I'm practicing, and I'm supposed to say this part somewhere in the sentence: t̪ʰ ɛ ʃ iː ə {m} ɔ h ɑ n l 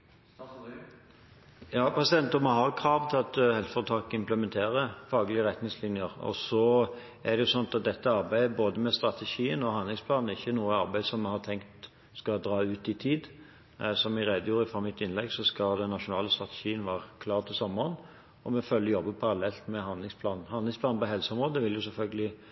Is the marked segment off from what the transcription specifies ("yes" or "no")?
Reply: yes